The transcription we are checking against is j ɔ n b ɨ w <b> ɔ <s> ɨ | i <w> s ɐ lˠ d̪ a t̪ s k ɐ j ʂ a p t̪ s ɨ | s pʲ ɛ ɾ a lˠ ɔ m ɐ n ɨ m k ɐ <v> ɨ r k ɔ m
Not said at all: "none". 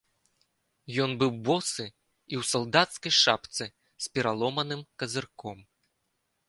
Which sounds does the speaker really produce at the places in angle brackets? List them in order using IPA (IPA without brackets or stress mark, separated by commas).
b, s, w, z